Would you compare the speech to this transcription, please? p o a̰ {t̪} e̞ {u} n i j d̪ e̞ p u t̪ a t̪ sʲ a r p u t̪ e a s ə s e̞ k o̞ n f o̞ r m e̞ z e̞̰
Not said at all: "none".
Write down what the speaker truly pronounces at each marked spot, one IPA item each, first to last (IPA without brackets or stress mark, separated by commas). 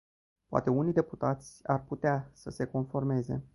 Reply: t̪, u